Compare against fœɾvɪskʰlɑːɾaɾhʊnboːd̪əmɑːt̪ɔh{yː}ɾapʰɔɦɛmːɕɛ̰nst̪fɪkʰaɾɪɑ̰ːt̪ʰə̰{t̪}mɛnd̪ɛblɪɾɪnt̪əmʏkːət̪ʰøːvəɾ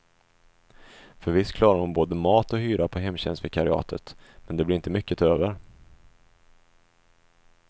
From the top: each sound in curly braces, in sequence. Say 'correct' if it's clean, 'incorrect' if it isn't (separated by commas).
correct, correct